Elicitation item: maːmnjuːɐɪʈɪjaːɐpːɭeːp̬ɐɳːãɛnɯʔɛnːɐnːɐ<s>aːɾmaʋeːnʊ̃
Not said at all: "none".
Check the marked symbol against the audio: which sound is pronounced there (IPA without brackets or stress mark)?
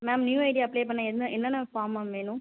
f